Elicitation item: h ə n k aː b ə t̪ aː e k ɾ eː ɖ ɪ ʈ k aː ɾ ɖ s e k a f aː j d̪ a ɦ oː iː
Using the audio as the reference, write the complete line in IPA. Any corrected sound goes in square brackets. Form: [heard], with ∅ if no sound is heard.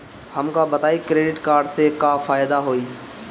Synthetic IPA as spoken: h ə [m] k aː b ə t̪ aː [i] k ɾ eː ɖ ɪ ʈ k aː ɾ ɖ s e k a f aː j d̪ a ɦ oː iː